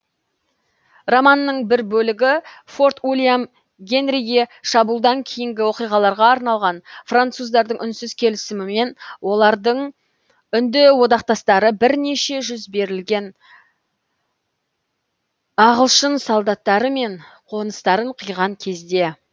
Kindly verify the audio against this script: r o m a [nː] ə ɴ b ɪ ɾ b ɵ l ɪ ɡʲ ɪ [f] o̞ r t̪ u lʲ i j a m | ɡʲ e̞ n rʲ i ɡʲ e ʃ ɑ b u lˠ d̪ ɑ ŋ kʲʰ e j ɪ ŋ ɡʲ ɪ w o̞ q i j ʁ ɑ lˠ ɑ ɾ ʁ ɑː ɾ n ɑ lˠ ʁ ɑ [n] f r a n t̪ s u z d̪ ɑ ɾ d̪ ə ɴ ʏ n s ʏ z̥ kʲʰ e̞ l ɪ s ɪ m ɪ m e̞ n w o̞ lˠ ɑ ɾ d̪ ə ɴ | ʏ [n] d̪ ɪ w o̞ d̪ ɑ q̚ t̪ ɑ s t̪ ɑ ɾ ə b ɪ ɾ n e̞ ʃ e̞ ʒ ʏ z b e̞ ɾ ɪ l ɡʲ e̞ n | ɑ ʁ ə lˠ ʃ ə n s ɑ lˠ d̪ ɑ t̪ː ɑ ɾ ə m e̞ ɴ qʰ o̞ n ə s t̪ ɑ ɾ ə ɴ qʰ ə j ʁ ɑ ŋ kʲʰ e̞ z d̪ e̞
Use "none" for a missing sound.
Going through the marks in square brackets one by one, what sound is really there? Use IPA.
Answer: nː, f, n, n

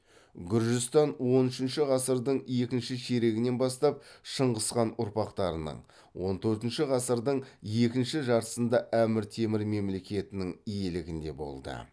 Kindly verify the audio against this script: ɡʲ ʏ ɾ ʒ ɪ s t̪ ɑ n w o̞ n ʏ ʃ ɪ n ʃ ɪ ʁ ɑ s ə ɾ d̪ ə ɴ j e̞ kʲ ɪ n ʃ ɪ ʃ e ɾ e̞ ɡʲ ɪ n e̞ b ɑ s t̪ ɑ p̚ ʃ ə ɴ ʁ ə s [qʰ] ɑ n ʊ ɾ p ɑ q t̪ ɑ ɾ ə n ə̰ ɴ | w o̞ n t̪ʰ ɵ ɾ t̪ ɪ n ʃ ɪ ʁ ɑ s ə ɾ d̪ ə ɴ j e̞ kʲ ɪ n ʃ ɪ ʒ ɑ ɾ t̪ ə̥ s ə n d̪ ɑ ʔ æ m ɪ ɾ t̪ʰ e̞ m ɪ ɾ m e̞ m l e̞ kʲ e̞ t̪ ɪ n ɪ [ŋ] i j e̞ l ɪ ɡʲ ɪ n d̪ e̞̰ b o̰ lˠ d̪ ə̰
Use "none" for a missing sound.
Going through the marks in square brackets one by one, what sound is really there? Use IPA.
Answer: q, ŋ

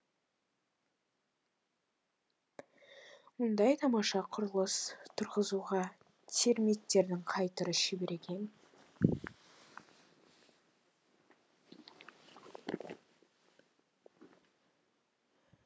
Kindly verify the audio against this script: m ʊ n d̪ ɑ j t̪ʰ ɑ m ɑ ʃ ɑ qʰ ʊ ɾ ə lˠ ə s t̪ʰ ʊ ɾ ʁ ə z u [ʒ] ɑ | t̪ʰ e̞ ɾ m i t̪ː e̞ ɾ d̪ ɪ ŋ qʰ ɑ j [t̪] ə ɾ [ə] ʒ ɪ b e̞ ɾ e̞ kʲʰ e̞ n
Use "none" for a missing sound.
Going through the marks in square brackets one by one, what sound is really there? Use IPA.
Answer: ʁ, t̪, ə

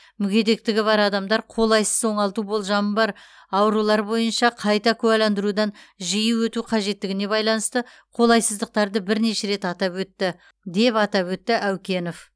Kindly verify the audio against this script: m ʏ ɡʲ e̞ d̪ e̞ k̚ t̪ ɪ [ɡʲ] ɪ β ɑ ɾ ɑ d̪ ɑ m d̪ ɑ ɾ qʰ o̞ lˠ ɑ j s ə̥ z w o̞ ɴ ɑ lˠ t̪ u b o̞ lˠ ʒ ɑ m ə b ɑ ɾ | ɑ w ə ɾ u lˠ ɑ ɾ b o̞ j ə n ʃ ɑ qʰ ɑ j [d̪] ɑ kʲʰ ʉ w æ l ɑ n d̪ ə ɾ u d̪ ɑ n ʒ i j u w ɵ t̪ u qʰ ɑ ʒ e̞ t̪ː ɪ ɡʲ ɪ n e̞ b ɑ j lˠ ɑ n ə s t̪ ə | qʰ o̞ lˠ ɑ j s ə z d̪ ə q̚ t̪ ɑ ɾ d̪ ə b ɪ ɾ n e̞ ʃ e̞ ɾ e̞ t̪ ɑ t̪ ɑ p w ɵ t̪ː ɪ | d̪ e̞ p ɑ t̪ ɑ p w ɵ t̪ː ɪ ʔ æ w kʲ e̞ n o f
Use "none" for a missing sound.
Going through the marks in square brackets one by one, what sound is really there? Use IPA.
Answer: ɡʲ, t̪

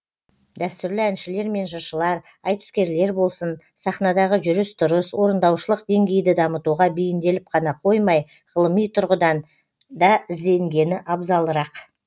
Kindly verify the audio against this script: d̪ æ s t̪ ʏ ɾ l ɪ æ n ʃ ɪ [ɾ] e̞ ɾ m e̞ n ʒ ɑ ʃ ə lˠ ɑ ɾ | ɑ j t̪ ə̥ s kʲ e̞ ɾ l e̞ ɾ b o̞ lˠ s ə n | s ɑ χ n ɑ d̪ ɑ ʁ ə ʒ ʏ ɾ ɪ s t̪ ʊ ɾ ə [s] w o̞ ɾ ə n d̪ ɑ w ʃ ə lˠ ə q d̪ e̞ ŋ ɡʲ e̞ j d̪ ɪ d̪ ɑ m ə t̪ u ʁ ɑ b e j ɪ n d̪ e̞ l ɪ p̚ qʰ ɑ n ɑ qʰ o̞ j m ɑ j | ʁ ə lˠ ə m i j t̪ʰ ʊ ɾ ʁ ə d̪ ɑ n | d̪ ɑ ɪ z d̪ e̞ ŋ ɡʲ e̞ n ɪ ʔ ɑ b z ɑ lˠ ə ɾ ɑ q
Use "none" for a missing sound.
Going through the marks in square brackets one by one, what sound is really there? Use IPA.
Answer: l, s

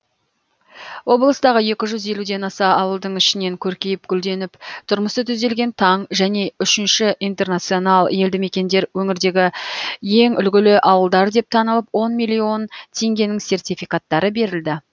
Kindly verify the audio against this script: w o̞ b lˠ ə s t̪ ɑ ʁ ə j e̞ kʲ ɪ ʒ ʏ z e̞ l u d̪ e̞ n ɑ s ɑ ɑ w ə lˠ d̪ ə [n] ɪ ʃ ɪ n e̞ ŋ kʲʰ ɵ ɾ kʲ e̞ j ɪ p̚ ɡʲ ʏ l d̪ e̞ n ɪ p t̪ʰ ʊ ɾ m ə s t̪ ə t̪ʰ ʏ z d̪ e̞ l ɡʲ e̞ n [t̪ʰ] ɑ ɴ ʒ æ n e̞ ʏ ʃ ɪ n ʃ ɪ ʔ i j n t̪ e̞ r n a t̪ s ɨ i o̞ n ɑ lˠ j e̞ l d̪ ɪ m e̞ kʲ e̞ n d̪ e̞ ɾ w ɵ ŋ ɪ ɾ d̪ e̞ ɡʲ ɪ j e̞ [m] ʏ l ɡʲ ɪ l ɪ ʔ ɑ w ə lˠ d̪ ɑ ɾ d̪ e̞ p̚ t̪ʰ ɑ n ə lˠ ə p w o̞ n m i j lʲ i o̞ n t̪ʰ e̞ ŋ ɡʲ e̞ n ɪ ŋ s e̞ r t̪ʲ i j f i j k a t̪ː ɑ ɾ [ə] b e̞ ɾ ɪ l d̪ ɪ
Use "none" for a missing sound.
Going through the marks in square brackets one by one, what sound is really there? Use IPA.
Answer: ɴ, t̪ʰ, ŋ, ə

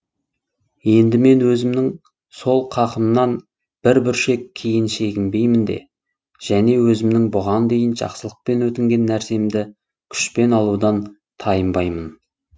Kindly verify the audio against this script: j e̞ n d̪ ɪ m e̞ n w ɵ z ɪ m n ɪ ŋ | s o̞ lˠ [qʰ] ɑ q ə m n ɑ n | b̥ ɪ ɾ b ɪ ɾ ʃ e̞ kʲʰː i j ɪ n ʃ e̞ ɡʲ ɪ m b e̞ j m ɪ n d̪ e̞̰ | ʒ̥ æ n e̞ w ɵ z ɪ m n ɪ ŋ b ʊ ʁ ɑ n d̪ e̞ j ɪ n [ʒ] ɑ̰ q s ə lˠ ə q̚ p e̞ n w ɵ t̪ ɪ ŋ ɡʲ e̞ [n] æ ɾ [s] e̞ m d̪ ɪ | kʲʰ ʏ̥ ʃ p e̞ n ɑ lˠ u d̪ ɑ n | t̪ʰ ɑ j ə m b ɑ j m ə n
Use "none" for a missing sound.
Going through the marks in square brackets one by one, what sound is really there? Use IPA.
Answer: qʰ, ʒ, nː, s

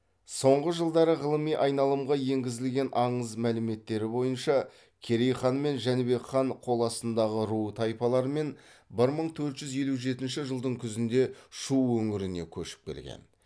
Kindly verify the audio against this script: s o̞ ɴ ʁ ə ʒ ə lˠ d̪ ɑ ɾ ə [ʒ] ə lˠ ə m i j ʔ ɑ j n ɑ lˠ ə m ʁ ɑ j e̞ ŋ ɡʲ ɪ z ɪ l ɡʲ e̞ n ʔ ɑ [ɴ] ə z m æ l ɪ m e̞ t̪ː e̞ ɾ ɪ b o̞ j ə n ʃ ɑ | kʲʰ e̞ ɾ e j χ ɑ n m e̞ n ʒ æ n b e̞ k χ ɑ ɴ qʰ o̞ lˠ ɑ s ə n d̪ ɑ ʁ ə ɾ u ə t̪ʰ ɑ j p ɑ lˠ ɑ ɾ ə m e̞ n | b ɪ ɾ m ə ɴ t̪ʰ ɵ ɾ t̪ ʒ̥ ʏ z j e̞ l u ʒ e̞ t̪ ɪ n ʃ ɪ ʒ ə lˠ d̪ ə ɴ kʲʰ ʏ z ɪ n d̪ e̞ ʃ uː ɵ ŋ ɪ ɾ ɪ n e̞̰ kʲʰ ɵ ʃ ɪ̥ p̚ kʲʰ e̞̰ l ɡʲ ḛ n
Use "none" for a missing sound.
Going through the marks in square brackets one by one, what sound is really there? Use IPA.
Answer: ʁ, ɴ

